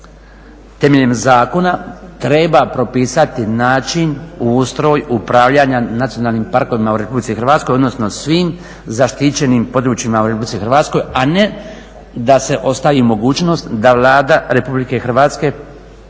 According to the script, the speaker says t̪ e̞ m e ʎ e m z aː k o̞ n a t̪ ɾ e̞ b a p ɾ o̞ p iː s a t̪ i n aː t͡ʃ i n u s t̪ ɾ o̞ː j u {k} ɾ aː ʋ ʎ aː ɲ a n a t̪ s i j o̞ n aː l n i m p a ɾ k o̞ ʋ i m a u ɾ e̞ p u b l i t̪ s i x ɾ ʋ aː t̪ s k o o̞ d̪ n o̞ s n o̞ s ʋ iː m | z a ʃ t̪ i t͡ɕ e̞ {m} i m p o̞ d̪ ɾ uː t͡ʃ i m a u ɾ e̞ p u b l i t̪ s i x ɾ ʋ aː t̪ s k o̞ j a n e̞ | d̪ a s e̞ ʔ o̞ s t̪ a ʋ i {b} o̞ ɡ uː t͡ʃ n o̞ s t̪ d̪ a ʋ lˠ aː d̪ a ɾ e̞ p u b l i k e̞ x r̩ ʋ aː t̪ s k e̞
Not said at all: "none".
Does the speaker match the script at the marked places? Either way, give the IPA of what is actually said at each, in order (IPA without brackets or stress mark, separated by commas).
p, n, m